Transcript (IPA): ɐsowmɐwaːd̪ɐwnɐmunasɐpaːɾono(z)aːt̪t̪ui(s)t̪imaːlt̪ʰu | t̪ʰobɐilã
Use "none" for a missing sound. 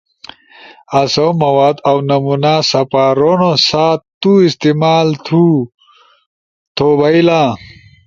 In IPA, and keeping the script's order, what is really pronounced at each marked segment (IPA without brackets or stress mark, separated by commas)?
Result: s, s